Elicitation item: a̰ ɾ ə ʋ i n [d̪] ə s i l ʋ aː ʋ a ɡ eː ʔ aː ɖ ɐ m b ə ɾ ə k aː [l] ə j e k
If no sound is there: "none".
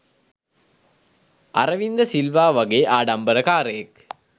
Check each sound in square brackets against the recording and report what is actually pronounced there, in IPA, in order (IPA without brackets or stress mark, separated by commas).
d̪, ɾ